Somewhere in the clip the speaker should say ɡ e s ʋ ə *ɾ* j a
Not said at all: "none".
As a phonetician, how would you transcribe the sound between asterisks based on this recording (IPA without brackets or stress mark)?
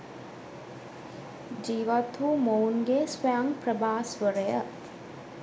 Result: none